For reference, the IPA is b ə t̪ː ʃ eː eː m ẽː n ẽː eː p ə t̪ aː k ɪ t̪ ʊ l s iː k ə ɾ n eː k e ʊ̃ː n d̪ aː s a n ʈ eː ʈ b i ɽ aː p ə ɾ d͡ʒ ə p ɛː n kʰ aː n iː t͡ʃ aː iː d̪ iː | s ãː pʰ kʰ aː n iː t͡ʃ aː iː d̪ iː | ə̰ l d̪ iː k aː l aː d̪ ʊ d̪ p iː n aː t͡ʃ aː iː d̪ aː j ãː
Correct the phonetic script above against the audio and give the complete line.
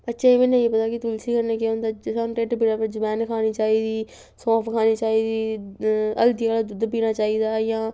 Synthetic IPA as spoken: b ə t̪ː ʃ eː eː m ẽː n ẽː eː p ə t̪ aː k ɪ t̪ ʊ l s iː k ə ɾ n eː k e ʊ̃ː n d̪ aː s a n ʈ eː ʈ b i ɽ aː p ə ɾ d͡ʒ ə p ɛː n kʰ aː n iː t͡ʃ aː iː d̪ iː | s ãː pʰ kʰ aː n iː t͡ʃ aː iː d̪ iː | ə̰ l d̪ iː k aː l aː d̪ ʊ d̪ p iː n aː t͡ʃ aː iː d̪ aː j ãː